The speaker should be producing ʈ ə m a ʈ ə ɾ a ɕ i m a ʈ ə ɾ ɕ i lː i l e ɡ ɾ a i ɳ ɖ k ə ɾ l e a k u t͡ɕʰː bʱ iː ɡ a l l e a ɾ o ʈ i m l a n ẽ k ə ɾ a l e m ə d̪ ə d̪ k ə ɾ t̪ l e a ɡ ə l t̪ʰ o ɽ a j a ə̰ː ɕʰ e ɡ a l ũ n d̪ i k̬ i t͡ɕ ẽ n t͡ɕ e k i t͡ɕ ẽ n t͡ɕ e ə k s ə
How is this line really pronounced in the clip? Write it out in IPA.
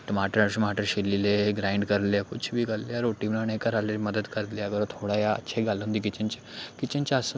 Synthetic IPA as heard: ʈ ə m a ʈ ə ɾ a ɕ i m a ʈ ə ɾ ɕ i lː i l e ɡ ɾ a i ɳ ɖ k ə ɾ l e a k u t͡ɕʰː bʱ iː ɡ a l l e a ɾ o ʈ i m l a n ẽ k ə ɾ a l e m ə d̪ ə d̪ k ə ɾ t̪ l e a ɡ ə ɾ t̪ʰ o ɽ a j a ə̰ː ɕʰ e ɡ a l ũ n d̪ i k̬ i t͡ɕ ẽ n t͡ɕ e k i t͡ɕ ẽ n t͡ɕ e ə s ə